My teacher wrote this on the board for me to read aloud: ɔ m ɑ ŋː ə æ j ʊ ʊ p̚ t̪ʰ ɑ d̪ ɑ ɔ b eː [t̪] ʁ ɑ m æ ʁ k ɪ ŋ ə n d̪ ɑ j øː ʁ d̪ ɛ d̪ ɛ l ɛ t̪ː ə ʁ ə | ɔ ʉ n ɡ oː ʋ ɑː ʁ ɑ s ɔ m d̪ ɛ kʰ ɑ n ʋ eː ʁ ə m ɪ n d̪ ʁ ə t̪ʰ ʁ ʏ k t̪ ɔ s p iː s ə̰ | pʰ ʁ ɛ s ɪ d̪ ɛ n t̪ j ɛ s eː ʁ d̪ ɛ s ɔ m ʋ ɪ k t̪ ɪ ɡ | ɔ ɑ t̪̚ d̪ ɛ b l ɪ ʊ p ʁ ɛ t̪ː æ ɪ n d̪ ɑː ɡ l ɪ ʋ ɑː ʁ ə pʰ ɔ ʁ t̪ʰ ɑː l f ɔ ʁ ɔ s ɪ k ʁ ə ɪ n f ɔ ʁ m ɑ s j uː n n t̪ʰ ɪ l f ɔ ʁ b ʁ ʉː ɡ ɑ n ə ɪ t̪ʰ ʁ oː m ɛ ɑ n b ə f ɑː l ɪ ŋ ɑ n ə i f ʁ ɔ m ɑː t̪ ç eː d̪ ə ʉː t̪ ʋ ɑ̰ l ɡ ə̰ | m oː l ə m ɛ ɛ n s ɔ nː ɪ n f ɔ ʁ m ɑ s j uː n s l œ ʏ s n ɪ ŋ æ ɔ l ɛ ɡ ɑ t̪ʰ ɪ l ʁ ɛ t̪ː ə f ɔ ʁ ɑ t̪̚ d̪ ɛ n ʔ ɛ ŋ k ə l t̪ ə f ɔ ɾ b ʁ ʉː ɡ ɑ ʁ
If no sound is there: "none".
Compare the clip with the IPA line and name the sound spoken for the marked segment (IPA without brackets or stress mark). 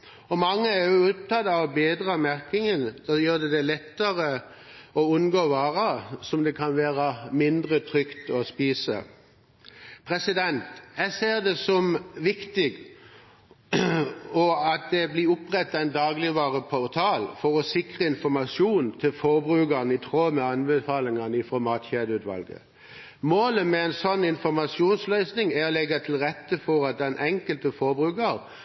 d̪